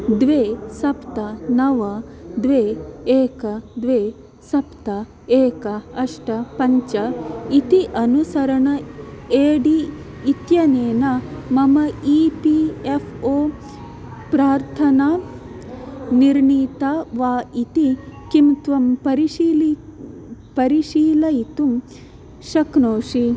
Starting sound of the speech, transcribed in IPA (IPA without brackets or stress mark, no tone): d̪